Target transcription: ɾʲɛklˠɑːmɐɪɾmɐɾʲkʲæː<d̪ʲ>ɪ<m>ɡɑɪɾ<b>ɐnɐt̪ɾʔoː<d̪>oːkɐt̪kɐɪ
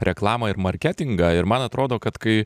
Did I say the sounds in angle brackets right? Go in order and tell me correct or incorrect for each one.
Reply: incorrect: t̪ʲ, incorrect: ŋ, incorrect: m, correct

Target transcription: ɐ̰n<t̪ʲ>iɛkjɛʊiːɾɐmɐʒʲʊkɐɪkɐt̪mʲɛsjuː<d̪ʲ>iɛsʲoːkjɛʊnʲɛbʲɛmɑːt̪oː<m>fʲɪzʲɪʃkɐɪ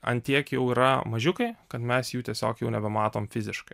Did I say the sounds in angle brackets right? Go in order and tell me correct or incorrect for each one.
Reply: correct, incorrect: t̪ʲ, correct

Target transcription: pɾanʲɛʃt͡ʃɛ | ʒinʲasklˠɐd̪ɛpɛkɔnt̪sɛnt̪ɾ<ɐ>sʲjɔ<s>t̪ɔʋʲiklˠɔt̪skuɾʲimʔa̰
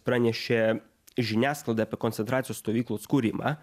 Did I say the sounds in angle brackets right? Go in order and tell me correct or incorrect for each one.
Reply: incorrect: a, correct

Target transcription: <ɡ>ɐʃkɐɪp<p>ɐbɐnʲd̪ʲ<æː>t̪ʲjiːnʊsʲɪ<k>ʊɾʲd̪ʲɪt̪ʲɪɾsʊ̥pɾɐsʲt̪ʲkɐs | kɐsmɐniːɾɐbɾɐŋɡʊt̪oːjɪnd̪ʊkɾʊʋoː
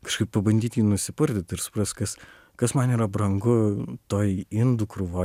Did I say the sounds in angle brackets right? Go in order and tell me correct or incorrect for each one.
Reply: incorrect: k, correct, incorrect: iː, incorrect: p

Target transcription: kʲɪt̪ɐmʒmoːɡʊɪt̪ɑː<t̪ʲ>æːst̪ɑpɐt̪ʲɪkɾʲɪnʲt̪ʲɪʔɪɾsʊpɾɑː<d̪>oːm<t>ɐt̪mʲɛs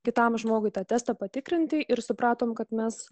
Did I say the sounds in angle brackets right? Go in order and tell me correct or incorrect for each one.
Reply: correct, incorrect: t̪, incorrect: k

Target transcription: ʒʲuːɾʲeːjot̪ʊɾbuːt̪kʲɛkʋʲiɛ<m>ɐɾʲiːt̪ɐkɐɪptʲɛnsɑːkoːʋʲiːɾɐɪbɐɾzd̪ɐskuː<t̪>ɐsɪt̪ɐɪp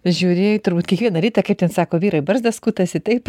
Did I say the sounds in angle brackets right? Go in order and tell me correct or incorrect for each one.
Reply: incorrect: n, correct

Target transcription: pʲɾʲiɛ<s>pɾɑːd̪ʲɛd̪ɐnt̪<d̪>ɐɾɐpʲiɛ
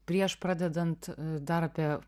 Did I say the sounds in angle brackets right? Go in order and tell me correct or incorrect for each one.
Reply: incorrect: ʃ, correct

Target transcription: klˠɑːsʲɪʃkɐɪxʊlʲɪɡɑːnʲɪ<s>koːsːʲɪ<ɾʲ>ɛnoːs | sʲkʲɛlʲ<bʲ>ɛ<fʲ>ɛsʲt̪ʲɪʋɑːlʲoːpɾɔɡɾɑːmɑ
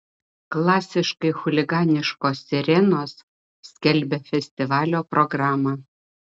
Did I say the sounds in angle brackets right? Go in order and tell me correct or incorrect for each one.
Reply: incorrect: ʃ, correct, correct, correct

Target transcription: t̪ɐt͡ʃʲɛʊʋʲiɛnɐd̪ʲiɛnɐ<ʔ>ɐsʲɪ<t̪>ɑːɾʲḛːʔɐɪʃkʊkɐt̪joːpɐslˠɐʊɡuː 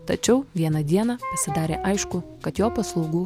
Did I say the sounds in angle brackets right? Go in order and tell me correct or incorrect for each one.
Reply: incorrect: p, incorrect: d̪

